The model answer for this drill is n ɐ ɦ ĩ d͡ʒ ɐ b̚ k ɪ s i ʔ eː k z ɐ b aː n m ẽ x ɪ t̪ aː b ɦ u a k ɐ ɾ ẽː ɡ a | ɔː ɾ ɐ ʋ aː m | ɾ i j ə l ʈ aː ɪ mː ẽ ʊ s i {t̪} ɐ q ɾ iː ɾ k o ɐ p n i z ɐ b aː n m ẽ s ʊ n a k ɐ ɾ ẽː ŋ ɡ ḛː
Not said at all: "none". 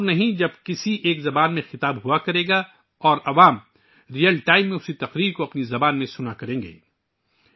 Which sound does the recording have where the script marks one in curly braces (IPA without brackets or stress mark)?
t̪